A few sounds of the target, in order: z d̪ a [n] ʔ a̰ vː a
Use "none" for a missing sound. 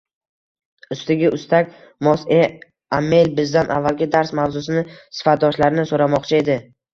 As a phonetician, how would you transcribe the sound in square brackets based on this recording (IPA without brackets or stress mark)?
n